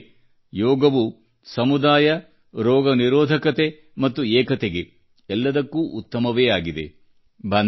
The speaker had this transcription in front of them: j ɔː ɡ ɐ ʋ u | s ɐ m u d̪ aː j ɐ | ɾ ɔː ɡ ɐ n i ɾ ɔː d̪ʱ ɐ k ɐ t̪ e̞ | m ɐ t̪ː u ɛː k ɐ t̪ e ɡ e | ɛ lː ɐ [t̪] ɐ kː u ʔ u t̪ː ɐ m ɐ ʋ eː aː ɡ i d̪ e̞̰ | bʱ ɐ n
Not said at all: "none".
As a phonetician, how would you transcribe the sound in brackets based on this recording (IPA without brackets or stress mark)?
d̪